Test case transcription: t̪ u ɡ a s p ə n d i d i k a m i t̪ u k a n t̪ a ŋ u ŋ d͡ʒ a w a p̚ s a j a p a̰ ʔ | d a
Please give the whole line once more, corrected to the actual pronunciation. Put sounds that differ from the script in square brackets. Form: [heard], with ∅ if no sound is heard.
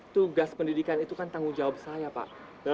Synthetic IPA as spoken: t̪ u ɡ a s p ə n d i d i k a [n] i t̪ u k a n t̪ a ŋ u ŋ d͡ʒ a w a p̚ s a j a p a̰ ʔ | d a